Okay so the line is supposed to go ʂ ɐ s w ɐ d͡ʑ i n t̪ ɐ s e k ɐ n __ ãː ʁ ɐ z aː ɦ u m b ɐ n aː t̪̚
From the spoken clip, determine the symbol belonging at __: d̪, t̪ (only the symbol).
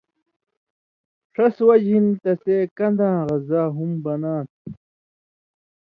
d̪